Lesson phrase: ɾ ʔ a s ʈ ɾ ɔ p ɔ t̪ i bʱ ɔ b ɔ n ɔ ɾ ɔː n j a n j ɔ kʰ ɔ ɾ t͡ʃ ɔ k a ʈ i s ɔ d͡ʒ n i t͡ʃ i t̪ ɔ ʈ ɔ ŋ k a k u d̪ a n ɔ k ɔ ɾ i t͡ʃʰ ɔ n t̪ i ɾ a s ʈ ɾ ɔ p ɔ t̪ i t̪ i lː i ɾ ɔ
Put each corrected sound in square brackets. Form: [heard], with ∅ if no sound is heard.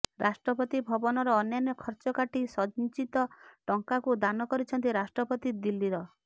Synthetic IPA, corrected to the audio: ɾ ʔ a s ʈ ɾ ɔ p ɔ t̪ i bʱ ɔ b ɔ n ɔ ɾ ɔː n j a n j ɔ kʰ ɔ ɾ t͡ʃ ɔ k a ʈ i s ɔ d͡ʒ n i t͡ʃ i t̪ ɔ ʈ ɔ ŋ k a k u d̪ a n ɔ k ɔ ɾ i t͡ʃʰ ɔ n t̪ i ɾ a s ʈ ɾ ɔ p ɔ t̪ i [d̪] i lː i ɾ ɔ